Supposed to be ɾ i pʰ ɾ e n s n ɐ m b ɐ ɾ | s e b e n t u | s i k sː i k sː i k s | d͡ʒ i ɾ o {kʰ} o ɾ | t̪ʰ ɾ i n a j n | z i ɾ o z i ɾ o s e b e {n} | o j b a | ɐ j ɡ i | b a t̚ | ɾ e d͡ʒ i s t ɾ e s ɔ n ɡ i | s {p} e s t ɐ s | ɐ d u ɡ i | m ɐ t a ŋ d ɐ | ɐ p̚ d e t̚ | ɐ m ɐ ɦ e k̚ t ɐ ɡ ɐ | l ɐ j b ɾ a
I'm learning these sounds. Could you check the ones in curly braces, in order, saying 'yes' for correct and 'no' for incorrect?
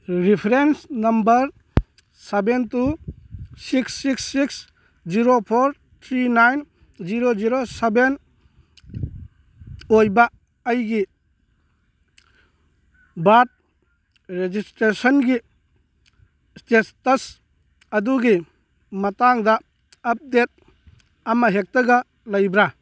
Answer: no, yes, no

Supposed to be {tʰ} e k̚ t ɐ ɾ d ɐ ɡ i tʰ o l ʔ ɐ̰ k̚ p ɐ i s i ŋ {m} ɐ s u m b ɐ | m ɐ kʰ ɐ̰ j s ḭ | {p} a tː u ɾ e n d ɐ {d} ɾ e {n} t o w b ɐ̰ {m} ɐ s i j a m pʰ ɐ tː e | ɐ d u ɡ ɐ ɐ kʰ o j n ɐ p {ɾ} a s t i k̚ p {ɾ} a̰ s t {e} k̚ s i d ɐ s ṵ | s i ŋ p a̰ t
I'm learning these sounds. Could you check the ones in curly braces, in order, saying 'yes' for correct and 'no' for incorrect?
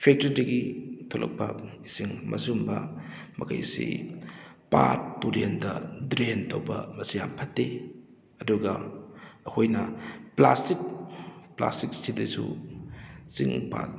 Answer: no, yes, yes, yes, yes, yes, no, no, no

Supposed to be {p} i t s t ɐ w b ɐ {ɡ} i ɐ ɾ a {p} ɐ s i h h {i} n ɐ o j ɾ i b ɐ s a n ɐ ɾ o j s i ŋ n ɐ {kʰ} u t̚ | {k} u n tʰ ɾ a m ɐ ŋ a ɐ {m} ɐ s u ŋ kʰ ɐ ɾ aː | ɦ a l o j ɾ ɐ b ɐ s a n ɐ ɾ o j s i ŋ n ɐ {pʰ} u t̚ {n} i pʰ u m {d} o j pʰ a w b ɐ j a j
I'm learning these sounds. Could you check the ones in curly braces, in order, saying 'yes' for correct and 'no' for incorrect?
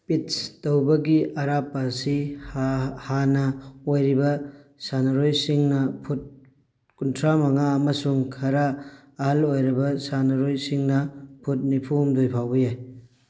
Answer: yes, yes, yes, no, no, yes, yes, yes, yes, yes

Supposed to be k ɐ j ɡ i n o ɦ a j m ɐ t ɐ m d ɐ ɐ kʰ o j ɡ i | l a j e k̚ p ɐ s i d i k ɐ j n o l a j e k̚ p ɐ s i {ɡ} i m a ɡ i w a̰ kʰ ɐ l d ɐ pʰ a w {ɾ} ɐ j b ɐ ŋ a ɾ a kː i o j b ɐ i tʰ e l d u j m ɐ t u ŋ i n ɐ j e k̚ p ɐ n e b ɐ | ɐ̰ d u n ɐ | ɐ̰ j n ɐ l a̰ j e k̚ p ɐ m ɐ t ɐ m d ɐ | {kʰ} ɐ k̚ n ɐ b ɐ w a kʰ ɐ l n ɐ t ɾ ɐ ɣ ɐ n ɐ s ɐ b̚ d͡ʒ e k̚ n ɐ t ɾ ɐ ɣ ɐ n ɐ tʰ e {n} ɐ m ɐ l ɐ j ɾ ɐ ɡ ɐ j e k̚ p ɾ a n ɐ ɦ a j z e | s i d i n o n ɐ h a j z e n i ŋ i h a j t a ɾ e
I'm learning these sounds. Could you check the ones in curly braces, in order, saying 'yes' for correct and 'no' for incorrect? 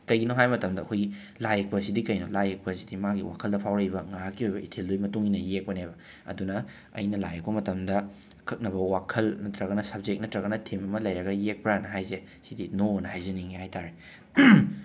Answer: no, yes, yes, no

